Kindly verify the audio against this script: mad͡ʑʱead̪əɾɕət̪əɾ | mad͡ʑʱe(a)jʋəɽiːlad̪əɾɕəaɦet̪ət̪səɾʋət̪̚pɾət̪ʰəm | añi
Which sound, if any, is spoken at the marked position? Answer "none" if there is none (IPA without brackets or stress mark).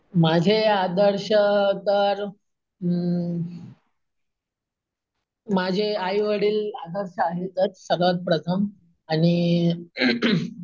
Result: a